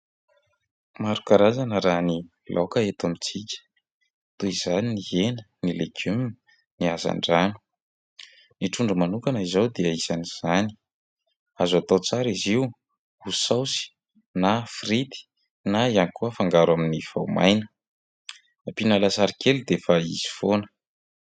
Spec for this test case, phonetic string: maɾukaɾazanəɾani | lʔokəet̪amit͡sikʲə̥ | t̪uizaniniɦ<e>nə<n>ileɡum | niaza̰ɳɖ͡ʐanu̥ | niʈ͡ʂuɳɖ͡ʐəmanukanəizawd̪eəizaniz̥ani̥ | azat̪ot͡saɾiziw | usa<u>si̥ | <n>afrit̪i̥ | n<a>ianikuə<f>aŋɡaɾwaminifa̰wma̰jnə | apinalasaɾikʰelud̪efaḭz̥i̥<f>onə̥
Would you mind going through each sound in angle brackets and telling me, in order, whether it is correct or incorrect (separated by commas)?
correct, correct, incorrect, correct, correct, correct, correct